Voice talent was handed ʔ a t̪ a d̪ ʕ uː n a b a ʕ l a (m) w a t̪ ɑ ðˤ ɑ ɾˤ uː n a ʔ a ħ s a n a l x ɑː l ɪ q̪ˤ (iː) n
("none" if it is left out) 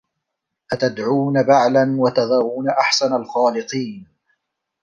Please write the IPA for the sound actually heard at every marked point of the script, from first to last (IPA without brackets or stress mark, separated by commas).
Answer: n, iː